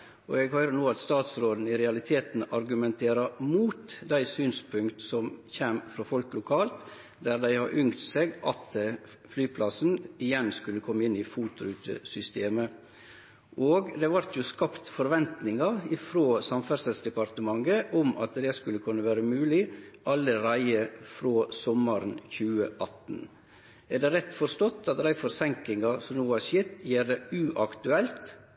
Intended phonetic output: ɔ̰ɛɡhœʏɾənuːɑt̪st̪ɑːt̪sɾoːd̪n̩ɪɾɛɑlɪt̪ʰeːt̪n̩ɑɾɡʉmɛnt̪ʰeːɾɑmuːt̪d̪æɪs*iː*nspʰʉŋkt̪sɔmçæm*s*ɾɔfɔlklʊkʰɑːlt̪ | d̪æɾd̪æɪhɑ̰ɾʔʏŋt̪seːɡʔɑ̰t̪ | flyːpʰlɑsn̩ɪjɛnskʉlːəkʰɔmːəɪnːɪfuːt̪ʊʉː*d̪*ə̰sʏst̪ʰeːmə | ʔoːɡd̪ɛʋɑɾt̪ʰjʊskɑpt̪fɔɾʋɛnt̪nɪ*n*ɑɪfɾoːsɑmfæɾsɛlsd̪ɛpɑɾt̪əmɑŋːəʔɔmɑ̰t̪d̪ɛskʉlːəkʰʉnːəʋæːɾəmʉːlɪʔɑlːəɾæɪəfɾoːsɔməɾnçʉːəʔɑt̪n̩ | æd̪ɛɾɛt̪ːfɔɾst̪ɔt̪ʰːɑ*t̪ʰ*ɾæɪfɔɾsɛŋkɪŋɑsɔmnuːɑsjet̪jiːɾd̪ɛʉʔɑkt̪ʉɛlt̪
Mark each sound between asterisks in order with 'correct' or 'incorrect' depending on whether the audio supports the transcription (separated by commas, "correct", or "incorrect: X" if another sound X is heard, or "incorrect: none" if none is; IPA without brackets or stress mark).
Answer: incorrect: yː, incorrect: f, incorrect: t̪, incorrect: ŋ, incorrect: t̪